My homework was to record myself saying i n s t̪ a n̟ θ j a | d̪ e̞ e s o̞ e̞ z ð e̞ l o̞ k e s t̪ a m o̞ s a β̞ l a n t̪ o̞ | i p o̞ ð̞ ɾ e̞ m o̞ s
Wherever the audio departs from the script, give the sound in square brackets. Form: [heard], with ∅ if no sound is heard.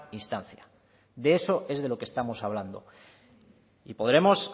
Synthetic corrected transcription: i n s t̪ a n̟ θ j a | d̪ e̞ e s o̞ e̞ z ð e̞ l o̞ k e s t̪ a m o̞ s a β̞ l a n [d̪] o̞ | i p o̞ ð̞ ɾ e̞ m o̞ s